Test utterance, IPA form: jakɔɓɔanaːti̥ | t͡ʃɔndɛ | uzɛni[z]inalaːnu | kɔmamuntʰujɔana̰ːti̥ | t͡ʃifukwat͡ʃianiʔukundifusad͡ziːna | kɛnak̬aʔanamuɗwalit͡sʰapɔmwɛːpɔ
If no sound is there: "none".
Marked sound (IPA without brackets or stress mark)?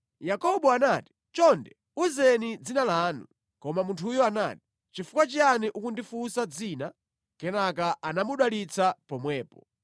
d͡z